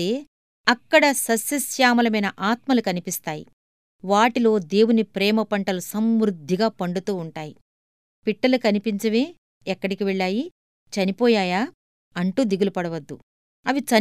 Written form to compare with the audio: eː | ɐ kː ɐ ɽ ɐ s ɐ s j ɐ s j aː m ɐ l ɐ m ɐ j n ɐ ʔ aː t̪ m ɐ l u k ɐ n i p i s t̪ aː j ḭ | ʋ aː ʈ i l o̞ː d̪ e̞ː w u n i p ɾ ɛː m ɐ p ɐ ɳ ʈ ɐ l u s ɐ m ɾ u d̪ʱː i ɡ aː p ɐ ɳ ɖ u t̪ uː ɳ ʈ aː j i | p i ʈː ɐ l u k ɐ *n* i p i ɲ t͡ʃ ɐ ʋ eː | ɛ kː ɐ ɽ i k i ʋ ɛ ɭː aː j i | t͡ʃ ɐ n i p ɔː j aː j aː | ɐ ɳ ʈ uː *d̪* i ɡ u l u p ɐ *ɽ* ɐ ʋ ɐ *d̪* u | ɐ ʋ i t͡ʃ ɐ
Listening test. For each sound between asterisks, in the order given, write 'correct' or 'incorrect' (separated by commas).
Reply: correct, correct, correct, incorrect